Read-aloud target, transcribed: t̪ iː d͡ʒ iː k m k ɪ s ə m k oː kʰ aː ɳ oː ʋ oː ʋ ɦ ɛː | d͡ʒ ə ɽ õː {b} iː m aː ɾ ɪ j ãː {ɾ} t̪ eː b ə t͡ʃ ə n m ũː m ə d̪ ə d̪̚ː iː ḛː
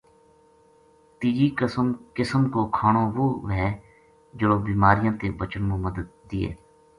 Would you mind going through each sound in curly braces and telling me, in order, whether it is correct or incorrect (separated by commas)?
correct, incorrect